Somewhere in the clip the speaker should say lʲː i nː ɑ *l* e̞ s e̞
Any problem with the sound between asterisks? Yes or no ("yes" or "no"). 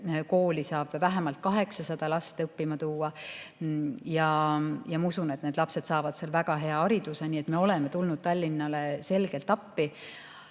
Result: no